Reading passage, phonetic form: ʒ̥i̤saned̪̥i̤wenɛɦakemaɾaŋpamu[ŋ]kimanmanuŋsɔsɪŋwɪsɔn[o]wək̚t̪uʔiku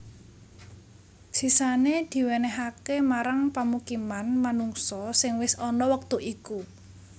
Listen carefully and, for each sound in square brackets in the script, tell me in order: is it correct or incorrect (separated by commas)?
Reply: incorrect, incorrect